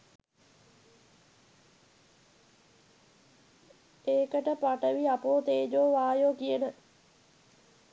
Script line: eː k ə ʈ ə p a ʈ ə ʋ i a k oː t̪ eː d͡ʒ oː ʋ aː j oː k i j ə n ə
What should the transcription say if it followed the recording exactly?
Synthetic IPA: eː k ə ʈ ə p a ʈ ə ʋ i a p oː t̪ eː d͡ʒ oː ʋ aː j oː k i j ə n ə